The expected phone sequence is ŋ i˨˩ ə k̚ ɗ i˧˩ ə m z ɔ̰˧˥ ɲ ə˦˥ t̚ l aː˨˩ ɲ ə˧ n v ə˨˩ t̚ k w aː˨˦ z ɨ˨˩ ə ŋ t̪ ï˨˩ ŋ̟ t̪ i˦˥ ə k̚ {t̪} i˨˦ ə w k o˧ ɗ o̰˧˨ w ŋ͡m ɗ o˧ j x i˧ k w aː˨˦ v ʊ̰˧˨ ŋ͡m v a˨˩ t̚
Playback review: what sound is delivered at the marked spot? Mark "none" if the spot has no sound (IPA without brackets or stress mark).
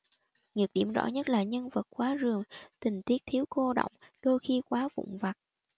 t̪ʰ